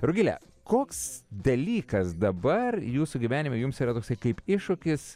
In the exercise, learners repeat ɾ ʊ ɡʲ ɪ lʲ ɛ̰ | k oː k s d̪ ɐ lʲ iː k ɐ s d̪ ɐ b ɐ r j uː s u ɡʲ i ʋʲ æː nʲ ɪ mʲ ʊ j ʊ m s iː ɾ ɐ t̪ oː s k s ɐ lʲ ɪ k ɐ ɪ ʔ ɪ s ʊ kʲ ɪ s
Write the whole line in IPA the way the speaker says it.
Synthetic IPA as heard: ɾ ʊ ɡʲ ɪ lʲ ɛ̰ | k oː k s d̪ ɐ lʲ iː k ɐ s d̪ ɐ b ɐ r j uː s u ɡʲ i ʋʲ æː nʲ ɪ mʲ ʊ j ʊ m s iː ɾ ɐ t̪ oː k s ɐ ɪ k ɐ ɪ p ɪ ʃ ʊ kʲ ɪ s